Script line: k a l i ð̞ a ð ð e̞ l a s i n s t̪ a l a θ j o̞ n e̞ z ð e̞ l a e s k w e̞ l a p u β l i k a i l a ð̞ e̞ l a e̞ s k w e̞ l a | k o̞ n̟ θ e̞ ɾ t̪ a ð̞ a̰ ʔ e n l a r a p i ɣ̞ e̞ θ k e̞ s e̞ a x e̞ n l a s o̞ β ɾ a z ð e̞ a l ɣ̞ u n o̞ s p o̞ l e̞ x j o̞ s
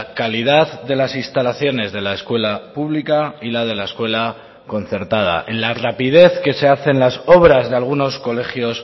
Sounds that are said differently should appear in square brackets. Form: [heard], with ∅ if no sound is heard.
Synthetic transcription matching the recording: k a l i ð̞ a ð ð e̞ l a s i n s t̪ a l a θ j o̞ n e̞ z ð e̞ l a e s k w e̞ l a p u β l i k a i l a ð̞ e̞ l a e̞ s k w e̞ l a | k o̞ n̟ θ e̞ ɾ t̪ a ð̞ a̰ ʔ e n l a r a p i [ð̞] e̞ θ k e̞ s e̞ a [θ] e̞ n l a s o̞ β ɾ a z ð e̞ a l ɣ̞ u n o̞ s [k] o̞ l e̞ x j o̞ s